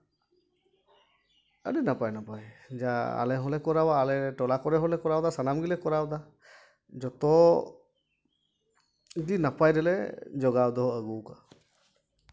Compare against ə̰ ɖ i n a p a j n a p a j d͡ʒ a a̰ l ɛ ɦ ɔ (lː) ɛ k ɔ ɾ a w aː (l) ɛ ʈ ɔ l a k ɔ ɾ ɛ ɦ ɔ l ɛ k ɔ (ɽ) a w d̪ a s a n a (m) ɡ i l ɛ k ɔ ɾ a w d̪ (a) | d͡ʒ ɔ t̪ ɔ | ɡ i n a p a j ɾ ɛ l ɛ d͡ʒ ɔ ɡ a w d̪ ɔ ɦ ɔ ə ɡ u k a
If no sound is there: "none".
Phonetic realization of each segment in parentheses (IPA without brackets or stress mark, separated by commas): l, l, ɾ, m, a